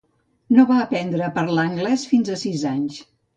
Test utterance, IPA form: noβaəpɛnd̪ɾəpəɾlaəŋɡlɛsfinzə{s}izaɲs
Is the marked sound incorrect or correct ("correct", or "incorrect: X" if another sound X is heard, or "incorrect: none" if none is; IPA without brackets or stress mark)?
correct